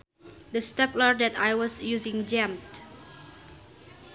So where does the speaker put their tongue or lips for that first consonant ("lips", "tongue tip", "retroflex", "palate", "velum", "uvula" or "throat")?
tongue tip